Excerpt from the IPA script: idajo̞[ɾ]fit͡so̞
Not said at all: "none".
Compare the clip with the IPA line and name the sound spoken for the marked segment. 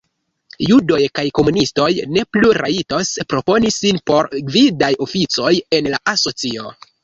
none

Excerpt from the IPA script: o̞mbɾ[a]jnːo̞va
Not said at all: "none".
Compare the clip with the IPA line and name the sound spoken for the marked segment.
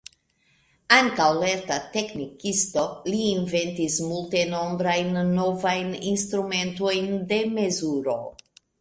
a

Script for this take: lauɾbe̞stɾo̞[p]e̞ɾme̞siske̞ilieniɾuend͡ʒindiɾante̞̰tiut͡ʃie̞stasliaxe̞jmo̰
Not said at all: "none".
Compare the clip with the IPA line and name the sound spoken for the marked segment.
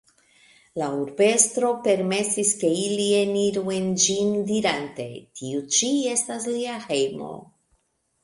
p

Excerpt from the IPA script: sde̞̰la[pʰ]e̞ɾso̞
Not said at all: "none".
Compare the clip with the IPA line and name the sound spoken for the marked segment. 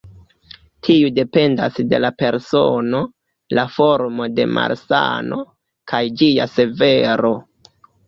p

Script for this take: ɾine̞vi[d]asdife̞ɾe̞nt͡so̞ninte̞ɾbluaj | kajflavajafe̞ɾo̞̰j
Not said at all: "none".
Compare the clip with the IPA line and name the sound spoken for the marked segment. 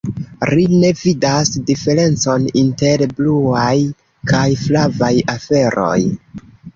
d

